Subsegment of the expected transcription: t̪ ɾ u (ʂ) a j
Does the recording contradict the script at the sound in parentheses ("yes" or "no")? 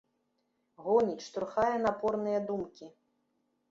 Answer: yes